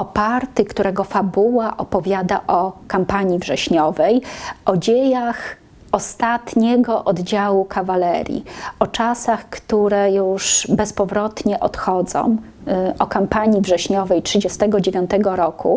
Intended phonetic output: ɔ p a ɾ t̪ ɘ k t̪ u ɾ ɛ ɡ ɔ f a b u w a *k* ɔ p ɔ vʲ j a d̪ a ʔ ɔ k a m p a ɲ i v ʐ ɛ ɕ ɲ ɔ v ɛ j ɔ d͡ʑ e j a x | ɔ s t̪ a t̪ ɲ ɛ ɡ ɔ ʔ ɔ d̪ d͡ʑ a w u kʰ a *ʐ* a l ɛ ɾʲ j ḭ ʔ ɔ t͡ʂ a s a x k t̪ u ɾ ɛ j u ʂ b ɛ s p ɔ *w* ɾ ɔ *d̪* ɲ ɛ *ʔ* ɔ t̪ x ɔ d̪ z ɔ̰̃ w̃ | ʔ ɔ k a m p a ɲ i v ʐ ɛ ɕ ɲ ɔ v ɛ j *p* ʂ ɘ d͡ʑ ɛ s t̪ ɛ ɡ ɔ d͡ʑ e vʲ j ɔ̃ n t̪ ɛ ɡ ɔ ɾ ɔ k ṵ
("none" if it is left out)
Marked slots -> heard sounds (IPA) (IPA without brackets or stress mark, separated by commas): ʔ, v, v, t̪, ʔ, t